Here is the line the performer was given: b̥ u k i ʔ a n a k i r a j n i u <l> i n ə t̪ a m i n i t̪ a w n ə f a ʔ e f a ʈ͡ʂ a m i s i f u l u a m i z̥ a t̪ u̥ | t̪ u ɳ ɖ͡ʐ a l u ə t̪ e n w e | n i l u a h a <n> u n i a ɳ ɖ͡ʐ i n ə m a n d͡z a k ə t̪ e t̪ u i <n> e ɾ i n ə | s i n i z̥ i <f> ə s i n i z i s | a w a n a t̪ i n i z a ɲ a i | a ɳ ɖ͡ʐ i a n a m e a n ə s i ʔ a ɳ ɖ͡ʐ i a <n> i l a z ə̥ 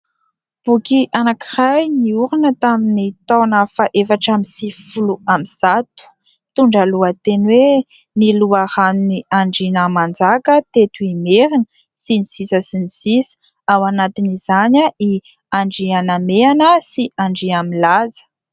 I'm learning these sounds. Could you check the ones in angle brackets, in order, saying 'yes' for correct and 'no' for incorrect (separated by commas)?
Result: no, yes, no, no, no